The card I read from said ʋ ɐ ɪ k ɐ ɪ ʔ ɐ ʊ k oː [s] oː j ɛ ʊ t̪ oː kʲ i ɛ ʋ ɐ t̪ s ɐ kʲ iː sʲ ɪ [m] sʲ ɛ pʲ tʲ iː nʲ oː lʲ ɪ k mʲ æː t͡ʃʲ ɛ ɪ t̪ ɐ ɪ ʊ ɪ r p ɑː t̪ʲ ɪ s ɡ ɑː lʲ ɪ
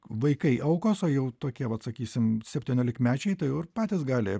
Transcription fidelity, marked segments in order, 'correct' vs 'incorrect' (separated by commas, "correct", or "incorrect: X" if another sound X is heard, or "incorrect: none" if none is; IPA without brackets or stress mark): correct, correct